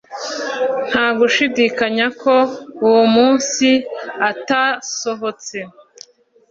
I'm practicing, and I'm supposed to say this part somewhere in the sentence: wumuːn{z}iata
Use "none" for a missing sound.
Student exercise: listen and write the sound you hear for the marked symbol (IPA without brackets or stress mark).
s